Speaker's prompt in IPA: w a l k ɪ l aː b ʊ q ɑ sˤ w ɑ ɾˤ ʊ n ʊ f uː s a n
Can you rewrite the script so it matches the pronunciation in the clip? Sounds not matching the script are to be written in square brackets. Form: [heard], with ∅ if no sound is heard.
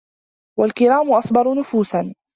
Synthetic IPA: w a l k ɪ [ɾ] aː [m] ʊ [ʔ] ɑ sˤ [b] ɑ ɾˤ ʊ n ʊ f uː s a n